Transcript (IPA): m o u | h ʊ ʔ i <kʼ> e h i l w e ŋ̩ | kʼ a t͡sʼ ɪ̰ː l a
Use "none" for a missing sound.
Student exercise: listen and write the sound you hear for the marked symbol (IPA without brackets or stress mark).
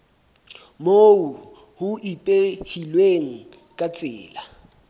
pʼ